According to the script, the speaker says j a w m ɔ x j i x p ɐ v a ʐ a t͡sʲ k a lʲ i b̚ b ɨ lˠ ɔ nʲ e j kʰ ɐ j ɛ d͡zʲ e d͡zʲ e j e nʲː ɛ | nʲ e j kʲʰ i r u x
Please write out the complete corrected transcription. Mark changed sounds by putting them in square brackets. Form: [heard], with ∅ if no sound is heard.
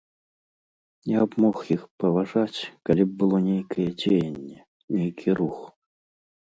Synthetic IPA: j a [b] m ɔ x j i x p ɐ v a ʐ a t͡sʲ k a lʲ i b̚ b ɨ lˠ ɔ nʲ e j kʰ ɐ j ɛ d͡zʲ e [∅] e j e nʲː ɛ | nʲ e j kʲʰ i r u x